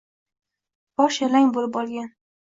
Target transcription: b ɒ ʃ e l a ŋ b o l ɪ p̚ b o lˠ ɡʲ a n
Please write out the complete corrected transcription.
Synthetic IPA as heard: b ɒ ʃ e l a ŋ b o l ɪ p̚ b ɒ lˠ ɡʲ a n